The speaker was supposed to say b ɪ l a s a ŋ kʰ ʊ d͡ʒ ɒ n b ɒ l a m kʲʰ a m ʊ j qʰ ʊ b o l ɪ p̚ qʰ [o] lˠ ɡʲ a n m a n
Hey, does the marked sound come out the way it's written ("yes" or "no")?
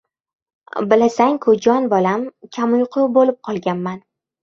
no